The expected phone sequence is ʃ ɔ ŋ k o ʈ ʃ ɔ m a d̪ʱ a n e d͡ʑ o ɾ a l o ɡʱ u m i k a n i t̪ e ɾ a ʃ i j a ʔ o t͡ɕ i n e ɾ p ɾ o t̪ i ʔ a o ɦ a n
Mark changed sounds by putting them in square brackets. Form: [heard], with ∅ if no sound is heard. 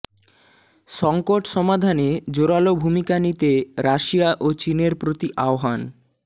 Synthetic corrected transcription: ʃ ɔ ŋ k o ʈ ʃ ɔ m a d̪ʱ a n e d͡ʑ o ɾ a l o [bʱ] u m i k a n i t̪ e ɾ a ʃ i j a ʔ o t͡ɕ i n e ɾ p ɾ o t̪ i ʔ a o ɦ a n